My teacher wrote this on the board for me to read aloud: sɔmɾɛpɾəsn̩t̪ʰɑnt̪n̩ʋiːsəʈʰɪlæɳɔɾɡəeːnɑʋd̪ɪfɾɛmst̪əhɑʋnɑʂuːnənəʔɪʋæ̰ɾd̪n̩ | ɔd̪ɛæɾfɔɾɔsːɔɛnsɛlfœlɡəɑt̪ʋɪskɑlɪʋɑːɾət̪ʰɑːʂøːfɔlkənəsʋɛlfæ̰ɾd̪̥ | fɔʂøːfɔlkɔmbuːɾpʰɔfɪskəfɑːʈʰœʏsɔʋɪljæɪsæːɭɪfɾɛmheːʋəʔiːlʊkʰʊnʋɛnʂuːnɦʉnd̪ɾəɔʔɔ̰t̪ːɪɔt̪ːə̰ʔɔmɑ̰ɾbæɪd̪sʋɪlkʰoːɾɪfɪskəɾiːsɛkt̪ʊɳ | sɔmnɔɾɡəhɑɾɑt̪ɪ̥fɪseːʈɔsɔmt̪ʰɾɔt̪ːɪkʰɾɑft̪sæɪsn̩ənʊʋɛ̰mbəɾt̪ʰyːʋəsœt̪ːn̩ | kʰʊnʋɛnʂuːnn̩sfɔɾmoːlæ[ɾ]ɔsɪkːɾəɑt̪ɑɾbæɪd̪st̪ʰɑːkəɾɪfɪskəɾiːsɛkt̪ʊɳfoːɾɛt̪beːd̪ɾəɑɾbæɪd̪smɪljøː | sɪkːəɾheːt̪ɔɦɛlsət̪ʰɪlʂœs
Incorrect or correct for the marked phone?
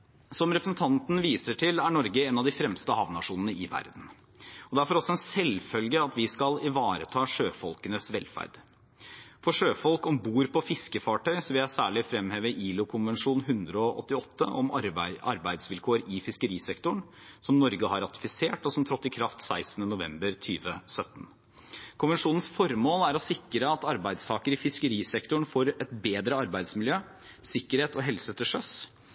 correct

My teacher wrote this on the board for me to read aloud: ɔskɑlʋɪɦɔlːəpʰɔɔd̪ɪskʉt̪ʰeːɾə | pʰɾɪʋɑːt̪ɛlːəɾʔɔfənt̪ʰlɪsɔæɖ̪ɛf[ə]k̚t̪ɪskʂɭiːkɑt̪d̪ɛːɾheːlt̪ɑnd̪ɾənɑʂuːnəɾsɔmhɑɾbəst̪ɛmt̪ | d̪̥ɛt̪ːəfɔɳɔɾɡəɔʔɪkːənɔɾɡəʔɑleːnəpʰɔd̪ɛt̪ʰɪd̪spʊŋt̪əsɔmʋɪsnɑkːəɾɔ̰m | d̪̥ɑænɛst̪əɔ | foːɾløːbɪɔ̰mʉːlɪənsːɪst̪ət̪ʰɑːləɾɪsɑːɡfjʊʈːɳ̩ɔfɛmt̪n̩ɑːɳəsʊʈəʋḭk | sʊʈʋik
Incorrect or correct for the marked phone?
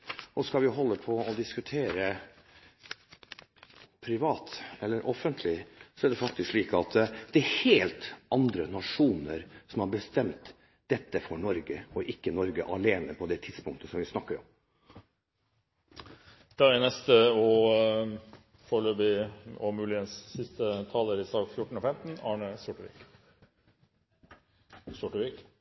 incorrect: ɑ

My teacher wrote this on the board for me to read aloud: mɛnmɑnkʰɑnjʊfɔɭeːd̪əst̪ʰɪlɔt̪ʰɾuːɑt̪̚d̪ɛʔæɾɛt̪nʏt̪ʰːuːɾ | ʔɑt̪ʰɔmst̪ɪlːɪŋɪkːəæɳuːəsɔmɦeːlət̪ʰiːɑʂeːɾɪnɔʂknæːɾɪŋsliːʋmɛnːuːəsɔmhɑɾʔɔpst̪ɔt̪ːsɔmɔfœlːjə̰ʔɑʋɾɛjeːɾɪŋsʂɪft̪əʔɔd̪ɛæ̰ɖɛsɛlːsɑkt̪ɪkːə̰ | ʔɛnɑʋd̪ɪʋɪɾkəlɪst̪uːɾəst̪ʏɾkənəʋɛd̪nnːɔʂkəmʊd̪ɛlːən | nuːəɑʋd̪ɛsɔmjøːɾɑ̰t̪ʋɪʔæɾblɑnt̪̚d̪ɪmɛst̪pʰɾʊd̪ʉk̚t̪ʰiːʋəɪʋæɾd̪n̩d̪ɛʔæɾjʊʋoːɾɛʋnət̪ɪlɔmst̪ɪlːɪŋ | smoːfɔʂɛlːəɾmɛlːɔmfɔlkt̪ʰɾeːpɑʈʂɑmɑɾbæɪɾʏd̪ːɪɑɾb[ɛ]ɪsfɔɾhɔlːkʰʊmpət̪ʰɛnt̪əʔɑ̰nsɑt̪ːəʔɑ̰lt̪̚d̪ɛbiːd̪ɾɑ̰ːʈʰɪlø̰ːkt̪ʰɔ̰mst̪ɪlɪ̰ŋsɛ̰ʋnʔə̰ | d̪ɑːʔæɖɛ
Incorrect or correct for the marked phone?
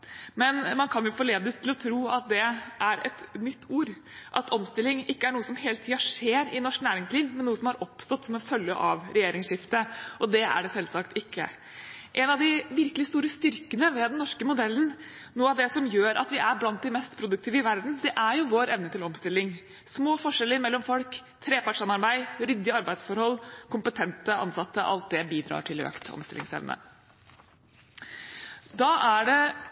incorrect: æ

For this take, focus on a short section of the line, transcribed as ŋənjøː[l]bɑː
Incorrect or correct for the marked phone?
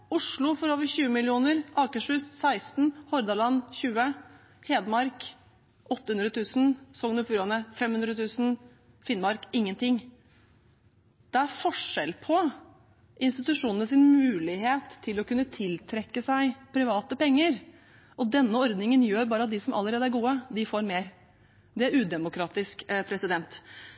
incorrect: ɾ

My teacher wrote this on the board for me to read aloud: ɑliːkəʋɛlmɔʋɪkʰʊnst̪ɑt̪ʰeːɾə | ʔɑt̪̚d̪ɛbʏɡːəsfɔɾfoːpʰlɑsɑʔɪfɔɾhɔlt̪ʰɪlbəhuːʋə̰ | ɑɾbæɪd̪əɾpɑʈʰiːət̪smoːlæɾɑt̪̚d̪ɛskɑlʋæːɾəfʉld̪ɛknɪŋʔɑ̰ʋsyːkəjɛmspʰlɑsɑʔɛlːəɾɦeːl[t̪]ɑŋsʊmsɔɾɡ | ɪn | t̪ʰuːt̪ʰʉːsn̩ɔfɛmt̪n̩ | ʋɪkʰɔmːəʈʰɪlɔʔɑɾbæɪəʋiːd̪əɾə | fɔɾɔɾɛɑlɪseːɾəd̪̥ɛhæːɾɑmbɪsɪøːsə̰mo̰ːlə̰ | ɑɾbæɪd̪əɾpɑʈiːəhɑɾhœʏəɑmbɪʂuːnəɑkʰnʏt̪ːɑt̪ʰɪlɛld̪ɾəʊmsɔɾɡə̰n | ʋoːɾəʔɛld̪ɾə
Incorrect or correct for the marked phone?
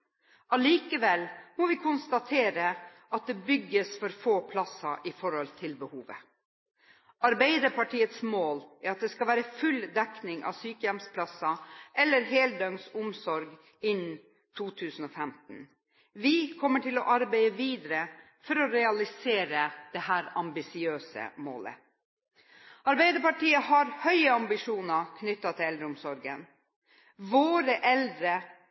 incorrect: d̪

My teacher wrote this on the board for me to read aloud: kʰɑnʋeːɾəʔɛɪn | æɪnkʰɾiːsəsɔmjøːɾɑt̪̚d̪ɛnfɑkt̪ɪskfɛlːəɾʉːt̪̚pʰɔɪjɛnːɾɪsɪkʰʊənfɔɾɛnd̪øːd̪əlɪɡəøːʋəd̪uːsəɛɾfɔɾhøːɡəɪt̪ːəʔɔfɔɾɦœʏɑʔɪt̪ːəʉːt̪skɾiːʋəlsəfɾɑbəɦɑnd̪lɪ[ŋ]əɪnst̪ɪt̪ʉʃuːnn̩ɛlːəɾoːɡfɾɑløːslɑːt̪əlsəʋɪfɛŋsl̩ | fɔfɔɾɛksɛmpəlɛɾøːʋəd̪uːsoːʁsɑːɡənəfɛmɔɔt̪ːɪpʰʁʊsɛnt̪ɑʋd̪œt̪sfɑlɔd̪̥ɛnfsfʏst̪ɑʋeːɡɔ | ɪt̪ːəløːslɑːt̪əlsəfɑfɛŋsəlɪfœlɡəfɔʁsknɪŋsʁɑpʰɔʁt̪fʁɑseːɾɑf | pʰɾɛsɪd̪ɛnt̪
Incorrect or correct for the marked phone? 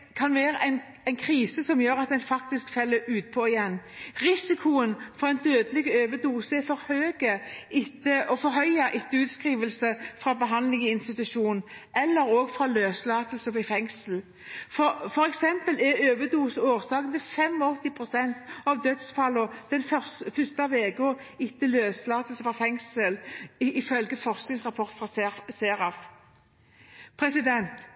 correct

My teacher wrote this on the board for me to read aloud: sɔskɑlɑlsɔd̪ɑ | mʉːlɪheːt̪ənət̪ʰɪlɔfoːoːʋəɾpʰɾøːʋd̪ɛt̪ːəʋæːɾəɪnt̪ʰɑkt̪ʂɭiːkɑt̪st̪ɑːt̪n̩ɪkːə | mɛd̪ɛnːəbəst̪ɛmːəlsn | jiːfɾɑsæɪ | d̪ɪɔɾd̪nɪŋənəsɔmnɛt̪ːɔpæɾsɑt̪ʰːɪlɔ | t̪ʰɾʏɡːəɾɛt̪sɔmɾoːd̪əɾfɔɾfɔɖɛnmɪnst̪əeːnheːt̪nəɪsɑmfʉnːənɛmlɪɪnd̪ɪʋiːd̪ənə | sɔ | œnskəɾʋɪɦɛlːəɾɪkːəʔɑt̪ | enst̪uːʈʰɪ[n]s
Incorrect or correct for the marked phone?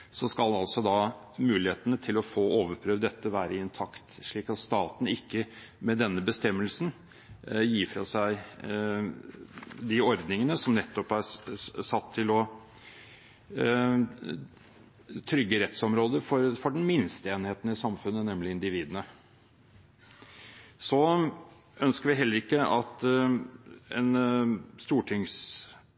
incorrect: ŋ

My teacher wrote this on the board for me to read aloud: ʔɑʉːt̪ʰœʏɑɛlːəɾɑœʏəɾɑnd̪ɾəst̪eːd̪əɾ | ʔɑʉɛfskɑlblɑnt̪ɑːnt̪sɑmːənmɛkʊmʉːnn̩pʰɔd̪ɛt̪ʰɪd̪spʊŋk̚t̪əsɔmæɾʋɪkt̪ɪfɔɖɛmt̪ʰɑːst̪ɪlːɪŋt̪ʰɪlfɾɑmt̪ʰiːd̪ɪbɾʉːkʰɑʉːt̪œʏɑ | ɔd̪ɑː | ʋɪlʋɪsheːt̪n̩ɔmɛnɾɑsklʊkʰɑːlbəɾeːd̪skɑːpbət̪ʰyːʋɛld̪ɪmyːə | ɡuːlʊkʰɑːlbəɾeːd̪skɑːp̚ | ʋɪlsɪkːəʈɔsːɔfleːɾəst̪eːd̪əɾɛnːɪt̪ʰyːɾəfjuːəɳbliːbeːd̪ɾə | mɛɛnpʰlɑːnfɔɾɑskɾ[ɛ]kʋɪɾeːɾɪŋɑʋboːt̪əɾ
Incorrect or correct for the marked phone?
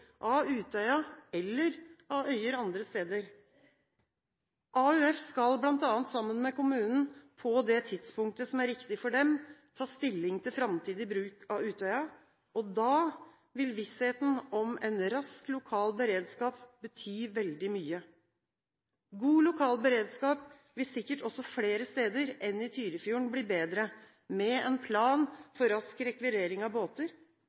correct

